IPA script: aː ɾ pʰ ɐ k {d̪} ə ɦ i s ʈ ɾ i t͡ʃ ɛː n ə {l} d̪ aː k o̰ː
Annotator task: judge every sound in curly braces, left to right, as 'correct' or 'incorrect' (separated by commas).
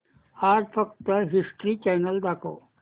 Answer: incorrect, correct